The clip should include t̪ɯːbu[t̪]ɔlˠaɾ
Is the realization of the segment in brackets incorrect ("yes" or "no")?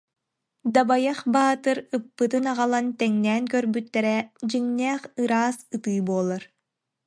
yes